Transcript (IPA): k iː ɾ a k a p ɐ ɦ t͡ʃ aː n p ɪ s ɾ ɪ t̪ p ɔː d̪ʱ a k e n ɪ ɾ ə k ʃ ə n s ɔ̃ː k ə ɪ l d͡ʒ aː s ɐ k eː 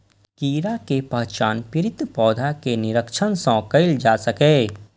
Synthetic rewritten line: k iː ɾ a k e p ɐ ɦ t͡ʃ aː n p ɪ ɾ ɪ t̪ p ɔː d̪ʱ a k e n ɪ ɾ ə k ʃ ə n s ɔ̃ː k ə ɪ l d͡ʒ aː s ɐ k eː